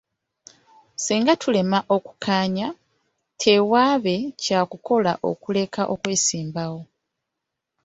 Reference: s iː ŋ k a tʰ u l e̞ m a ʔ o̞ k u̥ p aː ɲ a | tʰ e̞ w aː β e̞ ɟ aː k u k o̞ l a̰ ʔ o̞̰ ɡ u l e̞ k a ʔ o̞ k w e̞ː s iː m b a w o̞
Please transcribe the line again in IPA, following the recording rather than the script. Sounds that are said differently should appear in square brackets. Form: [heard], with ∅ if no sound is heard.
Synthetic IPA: s iː ŋ [ɡ] a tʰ u l e̞ m a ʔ o̞ k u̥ [k] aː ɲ a | tʰ e̞ w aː β e̞ [c] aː k u k o̞ l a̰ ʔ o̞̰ [k] u l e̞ k a ʔ o̞ k w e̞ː s iː m b a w o̞